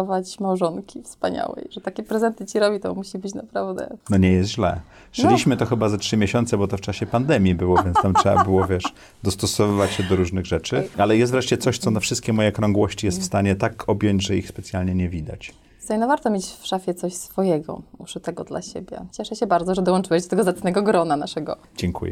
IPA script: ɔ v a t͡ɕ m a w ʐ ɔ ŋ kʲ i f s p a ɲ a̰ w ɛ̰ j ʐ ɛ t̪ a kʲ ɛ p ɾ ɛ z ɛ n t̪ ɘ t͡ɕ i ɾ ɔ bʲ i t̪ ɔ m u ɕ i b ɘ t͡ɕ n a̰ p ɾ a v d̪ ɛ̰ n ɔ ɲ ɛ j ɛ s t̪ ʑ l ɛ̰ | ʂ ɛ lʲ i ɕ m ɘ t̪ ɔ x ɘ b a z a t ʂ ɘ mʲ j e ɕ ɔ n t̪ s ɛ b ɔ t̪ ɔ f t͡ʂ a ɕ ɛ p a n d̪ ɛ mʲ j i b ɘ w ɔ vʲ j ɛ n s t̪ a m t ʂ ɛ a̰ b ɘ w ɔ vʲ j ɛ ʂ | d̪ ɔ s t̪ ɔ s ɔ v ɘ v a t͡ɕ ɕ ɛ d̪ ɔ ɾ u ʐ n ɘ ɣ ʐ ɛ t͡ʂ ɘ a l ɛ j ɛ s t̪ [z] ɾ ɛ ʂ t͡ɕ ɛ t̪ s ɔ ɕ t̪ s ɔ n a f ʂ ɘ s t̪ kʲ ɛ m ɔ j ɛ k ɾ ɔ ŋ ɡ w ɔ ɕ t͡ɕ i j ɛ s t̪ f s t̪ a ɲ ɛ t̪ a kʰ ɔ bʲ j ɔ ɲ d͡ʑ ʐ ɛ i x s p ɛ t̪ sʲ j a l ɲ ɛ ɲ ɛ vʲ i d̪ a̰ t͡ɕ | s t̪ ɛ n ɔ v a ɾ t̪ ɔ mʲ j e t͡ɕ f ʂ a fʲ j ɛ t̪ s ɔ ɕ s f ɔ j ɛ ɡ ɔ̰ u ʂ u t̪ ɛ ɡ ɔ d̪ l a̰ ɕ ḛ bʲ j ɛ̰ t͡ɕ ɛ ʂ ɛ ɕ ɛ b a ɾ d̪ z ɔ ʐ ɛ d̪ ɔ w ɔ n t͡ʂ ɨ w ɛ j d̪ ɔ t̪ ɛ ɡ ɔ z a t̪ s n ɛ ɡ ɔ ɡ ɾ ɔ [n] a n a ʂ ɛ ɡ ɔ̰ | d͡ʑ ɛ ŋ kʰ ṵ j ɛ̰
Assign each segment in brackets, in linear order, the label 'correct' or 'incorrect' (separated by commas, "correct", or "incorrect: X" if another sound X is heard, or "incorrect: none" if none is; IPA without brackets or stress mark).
incorrect: v, correct